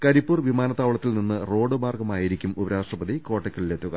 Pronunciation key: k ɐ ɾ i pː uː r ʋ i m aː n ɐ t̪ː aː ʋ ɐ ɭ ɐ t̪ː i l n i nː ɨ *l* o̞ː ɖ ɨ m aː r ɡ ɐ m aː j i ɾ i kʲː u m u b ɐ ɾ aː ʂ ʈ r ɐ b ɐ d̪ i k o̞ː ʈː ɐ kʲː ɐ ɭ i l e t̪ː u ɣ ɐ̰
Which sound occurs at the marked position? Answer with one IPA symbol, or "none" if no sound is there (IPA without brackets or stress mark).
r